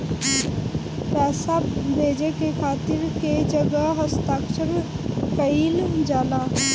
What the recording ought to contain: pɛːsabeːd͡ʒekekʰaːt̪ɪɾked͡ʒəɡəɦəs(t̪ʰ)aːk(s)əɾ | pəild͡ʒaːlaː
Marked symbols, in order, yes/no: no, no

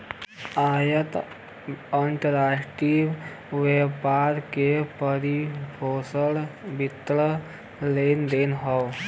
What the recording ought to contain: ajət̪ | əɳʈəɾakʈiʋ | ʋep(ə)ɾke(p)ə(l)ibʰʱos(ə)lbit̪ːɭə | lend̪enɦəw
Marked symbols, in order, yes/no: no, yes, no, yes

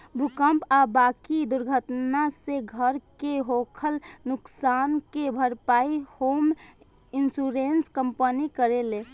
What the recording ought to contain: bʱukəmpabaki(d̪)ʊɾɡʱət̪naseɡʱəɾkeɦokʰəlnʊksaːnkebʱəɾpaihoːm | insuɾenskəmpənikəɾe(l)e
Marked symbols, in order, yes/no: yes, yes

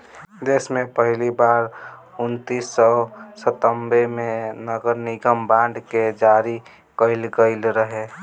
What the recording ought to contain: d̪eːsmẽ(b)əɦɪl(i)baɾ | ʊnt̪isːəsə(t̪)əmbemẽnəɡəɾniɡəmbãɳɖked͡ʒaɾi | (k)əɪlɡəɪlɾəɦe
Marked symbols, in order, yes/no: no, yes, yes, yes

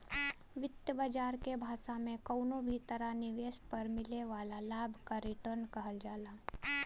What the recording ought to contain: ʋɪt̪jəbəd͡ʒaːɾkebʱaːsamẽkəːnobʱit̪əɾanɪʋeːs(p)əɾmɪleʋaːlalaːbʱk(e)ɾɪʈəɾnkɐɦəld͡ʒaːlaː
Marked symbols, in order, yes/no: yes, no

